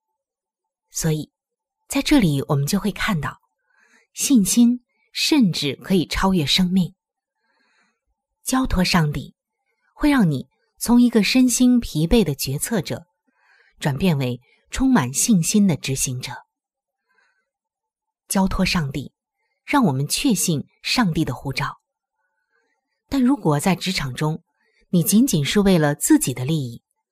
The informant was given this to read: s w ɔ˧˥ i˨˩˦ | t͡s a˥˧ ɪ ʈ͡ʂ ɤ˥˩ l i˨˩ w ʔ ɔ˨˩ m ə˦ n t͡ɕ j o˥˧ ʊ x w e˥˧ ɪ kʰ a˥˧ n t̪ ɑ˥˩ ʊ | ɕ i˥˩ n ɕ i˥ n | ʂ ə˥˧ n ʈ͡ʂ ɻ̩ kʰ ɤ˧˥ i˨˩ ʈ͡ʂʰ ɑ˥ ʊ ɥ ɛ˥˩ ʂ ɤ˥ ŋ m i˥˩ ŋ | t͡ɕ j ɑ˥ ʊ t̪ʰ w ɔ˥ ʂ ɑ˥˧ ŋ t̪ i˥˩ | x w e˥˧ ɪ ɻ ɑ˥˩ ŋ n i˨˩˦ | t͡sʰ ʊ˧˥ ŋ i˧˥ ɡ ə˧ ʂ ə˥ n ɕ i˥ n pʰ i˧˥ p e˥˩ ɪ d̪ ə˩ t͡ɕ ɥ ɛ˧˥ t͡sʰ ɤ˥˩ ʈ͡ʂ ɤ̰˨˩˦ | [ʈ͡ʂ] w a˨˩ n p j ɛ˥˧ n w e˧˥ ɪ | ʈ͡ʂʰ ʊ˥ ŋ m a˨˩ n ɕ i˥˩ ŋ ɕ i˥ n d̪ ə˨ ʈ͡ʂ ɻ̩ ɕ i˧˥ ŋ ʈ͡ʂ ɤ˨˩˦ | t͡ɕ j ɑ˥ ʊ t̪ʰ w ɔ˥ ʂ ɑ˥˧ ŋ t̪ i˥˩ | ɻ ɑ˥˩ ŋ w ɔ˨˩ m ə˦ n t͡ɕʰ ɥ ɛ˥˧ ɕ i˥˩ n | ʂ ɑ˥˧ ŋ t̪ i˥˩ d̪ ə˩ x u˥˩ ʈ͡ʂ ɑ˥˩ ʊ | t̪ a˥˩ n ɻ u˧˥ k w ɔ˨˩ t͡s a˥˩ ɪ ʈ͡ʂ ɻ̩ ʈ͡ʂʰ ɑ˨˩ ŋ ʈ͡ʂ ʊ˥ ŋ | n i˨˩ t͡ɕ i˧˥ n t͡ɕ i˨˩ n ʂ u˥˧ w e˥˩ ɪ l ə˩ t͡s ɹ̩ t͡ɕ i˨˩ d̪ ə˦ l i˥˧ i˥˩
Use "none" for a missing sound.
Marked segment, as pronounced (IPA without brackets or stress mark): ʈ͡ʂ